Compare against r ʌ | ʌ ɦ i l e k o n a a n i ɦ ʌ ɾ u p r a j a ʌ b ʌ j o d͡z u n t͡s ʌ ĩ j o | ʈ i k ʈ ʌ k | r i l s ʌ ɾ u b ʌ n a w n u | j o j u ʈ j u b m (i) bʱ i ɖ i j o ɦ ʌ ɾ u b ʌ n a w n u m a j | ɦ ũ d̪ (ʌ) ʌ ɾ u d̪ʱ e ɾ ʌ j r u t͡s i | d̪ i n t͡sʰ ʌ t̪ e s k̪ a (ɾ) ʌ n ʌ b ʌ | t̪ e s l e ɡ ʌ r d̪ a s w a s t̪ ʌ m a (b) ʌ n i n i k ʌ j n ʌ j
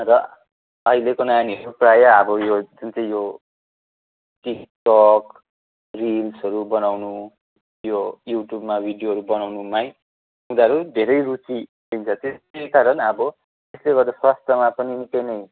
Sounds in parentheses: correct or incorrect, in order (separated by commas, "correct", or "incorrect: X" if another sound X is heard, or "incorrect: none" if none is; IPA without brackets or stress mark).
incorrect: a, incorrect: a, correct, incorrect: p